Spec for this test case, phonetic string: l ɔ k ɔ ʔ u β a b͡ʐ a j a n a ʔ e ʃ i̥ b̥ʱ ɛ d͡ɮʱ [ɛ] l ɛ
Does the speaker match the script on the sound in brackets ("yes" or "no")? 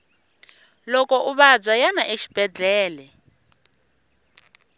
no